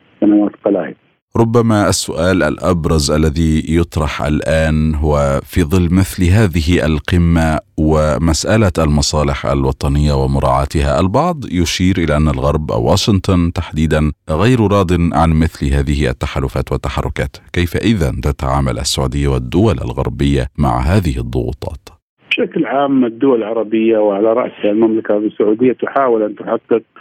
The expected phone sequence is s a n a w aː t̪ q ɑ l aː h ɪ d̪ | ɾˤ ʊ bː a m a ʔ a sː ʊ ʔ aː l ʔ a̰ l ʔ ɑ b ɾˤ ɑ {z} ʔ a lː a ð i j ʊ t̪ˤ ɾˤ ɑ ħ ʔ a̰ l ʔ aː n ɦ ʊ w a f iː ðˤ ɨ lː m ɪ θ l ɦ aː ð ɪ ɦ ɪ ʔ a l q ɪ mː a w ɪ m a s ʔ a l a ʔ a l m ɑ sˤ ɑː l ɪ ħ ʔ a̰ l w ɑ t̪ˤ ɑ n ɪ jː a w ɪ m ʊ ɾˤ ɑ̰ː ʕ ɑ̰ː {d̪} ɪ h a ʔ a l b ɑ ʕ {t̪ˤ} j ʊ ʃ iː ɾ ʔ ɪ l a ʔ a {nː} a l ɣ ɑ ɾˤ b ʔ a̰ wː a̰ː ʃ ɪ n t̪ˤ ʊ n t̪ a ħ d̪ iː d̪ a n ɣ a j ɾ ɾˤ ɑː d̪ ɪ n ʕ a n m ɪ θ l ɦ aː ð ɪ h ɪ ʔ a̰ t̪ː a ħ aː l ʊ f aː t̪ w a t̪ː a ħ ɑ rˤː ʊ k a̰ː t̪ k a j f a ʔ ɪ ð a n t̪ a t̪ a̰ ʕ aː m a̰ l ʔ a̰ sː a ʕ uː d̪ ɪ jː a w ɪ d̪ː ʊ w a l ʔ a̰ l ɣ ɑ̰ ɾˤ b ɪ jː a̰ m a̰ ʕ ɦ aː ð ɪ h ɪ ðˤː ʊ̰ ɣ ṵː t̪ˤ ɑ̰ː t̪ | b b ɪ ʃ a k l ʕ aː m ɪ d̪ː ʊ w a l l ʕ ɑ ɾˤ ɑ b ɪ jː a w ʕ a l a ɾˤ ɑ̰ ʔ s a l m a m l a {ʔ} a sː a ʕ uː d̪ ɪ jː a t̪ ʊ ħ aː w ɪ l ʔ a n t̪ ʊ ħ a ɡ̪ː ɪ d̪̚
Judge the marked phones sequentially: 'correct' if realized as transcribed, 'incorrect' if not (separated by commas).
correct, incorrect, incorrect, correct, incorrect